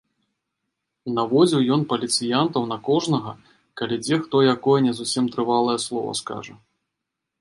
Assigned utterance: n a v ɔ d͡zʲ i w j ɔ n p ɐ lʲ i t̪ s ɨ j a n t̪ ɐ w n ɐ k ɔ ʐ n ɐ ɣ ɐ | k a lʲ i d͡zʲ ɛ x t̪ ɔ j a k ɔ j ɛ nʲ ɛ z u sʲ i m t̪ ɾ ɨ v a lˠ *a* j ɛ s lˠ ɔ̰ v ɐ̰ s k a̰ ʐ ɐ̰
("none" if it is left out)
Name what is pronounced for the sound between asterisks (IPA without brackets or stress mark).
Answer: ɐ